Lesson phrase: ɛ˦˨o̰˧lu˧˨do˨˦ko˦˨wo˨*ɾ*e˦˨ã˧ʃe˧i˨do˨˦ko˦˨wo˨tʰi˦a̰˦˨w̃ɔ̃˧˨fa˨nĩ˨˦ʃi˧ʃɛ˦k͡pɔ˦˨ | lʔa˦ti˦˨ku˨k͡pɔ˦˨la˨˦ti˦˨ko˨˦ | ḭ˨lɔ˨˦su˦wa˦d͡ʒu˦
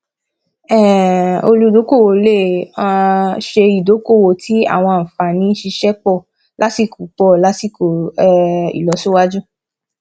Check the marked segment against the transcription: incorrect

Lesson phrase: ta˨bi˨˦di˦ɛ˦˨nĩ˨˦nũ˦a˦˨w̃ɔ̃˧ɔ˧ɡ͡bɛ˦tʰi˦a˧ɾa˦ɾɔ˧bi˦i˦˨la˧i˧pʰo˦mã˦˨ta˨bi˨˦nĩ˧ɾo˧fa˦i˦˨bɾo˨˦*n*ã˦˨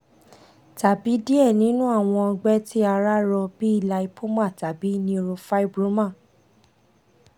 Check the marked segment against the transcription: incorrect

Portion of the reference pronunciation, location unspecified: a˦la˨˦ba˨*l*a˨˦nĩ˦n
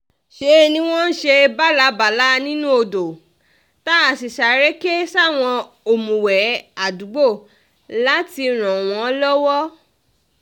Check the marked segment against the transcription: correct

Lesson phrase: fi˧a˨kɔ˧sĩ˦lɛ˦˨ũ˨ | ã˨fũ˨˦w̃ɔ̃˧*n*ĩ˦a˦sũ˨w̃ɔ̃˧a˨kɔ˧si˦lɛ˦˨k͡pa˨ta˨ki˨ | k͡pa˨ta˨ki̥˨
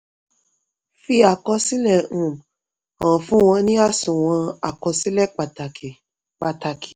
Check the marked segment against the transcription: correct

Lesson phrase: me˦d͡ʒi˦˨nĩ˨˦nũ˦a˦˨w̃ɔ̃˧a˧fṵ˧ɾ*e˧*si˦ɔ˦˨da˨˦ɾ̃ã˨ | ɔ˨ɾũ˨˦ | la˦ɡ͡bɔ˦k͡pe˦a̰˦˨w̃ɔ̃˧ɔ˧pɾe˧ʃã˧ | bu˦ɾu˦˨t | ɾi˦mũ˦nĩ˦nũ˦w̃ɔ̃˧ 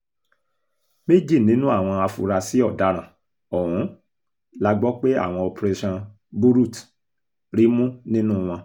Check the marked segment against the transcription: incorrect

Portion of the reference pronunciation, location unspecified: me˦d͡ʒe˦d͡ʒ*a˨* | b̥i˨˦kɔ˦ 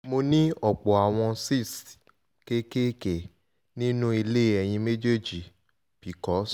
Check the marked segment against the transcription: incorrect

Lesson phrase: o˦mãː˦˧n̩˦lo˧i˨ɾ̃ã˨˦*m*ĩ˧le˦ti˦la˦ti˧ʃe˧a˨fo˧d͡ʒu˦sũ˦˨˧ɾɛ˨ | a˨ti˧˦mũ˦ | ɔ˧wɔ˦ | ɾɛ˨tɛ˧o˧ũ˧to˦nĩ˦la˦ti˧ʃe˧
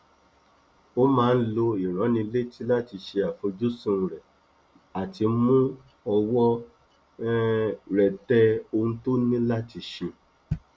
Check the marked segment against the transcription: incorrect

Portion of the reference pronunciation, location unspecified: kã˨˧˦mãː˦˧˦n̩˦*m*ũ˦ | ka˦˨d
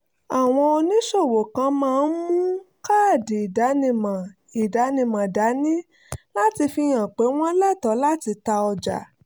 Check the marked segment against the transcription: correct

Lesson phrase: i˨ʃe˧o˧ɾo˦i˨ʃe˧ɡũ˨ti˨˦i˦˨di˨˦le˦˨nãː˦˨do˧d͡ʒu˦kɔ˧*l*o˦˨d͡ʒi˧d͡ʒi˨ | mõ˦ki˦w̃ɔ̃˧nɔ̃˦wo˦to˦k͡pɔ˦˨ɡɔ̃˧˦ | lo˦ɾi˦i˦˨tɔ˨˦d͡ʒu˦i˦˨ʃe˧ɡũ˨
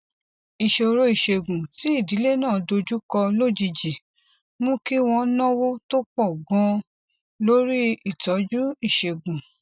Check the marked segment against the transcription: correct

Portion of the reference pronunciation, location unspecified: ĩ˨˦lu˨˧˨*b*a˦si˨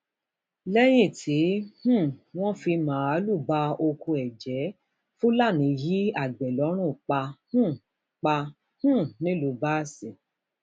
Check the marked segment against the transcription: correct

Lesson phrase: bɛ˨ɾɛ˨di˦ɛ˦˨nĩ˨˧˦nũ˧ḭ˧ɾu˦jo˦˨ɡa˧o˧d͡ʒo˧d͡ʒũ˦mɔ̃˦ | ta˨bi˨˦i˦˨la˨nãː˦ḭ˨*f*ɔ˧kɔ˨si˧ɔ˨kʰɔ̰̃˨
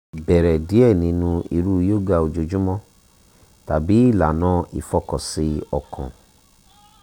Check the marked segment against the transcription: correct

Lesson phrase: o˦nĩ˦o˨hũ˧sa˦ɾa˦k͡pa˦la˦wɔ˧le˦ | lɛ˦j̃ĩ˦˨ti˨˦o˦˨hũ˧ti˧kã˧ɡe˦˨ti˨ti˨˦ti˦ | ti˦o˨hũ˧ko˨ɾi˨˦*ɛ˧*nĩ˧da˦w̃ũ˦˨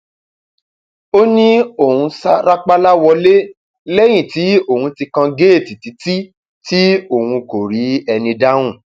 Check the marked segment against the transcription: correct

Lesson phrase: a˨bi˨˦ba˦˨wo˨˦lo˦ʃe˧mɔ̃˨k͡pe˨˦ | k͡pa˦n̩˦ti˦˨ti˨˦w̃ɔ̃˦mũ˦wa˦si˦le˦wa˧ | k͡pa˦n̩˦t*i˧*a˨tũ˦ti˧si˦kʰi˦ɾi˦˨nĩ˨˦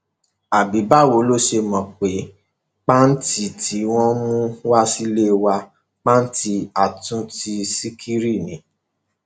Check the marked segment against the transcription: correct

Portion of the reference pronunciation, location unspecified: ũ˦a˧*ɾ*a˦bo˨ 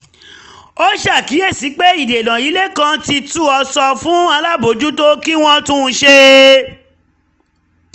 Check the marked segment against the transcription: incorrect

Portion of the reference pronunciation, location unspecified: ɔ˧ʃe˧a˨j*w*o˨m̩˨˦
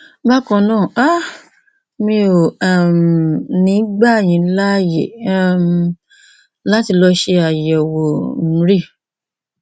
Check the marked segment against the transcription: correct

